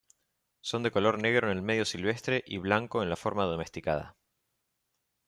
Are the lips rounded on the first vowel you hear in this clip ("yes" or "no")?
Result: yes